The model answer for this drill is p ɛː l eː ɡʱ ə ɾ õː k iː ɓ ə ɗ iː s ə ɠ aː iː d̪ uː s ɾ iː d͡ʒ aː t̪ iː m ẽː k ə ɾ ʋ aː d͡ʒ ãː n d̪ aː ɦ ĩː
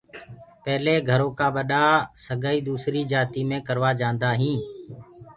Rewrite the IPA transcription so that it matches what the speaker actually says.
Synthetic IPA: p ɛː l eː ɡʱ ə ɾ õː k aː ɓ ə ɗ aː s ə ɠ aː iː d̪ uː s ɾ iː d͡ʒ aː t̪ iː m ẽː k ə ɾ ʋ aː d͡ʒ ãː n d̪ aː ɦ ĩː

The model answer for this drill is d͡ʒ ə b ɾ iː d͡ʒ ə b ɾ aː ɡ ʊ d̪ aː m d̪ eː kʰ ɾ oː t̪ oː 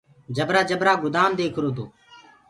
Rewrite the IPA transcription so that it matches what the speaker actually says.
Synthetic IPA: d͡ʒ ə b ɾ aː d͡ʒ ə b ɾ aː ɡ ʊ d̪ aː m d̪ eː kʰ ɾ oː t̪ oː

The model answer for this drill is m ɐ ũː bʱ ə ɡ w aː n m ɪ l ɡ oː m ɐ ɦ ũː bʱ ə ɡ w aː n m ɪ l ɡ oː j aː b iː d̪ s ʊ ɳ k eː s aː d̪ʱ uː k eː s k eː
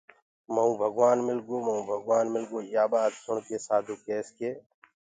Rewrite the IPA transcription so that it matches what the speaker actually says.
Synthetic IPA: m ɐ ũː bʱ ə ɡ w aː n m ɪ l ɡ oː m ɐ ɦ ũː bʱ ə ɡ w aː n m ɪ l ɡ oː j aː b aː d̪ s ʊ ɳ k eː s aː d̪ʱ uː k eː s k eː

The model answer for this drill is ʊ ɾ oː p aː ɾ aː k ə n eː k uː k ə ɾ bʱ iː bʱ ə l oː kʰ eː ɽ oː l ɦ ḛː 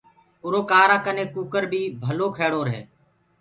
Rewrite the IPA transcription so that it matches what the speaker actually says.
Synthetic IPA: ʊ ɾ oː k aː ɾ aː k ə n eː k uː k ə ɾ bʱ iː bʱ ə l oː kʰ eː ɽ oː ɾ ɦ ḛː

